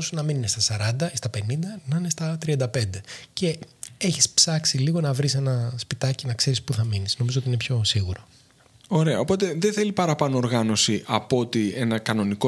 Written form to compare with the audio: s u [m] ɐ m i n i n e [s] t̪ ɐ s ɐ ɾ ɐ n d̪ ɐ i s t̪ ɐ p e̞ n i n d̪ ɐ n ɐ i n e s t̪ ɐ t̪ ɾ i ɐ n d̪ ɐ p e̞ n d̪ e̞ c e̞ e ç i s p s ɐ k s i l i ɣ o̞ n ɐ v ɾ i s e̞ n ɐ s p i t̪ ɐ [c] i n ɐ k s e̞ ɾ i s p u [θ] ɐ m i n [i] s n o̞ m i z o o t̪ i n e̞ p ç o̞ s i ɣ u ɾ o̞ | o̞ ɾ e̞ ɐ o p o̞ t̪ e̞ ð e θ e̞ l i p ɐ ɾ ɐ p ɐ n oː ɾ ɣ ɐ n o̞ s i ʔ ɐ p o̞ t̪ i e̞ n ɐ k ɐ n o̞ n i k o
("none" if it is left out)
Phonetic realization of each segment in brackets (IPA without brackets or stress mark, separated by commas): n, s, c, θ, i